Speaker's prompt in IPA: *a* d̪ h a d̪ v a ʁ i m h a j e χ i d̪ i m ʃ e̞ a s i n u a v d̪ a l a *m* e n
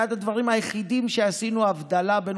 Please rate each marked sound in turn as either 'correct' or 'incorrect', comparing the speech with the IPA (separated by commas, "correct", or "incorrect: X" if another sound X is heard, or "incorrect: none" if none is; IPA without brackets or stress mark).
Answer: correct, incorrect: b